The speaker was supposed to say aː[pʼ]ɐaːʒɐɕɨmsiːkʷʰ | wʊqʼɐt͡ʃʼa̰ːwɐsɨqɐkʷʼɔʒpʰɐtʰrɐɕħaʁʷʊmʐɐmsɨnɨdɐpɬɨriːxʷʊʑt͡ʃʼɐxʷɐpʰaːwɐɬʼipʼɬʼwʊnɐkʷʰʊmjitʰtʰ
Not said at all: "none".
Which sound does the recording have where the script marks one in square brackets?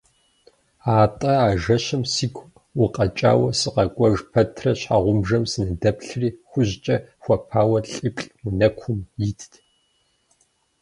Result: tʼ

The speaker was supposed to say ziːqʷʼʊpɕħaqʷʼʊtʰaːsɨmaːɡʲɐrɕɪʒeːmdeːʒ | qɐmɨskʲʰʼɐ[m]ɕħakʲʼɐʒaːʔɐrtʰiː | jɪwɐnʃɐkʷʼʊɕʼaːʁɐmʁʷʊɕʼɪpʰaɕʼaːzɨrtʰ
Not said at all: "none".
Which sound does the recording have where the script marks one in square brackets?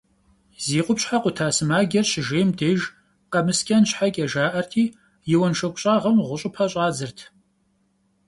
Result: n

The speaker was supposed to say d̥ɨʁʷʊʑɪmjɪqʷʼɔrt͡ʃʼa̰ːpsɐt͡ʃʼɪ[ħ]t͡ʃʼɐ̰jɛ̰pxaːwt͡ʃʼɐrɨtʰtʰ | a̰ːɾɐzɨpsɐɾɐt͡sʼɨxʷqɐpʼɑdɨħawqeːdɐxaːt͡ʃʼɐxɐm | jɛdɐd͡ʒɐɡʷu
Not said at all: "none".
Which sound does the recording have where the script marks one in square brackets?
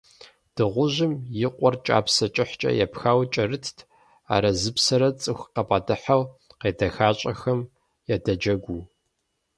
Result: ħ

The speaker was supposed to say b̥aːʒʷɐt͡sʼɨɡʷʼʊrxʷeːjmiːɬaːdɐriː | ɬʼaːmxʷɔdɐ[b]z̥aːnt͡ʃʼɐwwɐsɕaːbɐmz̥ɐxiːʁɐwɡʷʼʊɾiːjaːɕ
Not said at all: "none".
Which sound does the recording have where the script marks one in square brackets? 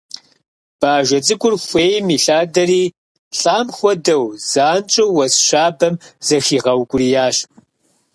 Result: w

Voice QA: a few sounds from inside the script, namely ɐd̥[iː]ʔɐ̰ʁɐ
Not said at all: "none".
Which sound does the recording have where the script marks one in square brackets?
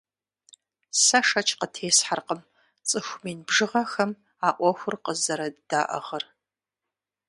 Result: aː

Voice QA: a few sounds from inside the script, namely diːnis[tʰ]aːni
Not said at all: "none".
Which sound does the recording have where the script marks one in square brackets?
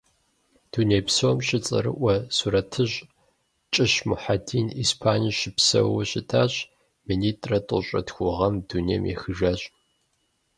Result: pʰ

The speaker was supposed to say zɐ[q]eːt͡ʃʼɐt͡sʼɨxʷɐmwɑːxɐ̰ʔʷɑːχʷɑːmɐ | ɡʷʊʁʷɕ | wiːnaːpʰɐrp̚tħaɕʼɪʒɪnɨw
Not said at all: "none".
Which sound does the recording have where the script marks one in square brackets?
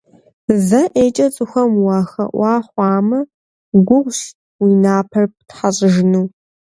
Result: ʔ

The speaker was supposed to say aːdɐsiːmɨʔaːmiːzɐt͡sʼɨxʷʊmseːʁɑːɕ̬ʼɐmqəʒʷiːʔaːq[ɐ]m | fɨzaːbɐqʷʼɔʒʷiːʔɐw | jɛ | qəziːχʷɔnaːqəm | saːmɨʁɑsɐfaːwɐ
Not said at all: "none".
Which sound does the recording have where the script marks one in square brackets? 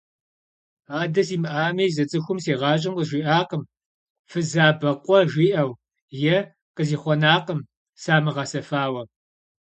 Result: ə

